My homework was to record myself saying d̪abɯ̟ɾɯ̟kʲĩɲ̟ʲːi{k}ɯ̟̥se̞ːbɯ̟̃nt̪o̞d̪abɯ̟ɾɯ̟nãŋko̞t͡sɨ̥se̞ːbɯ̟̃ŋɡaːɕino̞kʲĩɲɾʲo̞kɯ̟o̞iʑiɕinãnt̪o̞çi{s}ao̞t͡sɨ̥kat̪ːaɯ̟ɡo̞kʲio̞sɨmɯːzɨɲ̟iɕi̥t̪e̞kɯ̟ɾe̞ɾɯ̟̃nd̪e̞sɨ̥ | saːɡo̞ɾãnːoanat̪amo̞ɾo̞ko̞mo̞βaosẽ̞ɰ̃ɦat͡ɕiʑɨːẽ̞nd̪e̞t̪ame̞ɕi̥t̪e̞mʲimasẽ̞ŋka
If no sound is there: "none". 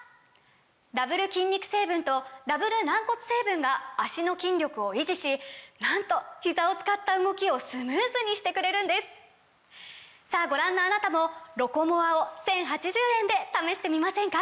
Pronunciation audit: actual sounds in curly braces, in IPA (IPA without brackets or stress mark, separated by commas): k, z